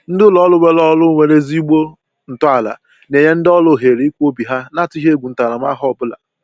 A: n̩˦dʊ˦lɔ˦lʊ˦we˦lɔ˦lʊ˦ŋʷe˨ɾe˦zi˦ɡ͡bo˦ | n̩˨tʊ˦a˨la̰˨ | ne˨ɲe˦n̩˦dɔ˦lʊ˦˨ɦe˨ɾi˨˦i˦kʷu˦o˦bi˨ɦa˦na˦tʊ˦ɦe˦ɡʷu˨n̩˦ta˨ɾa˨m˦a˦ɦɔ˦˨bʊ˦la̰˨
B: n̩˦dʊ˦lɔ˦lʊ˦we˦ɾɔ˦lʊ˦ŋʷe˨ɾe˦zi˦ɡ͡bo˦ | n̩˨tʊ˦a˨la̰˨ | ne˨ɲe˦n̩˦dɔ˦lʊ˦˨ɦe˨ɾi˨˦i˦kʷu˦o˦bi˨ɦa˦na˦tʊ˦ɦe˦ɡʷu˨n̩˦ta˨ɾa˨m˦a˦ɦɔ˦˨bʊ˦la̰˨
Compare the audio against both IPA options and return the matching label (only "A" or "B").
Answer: A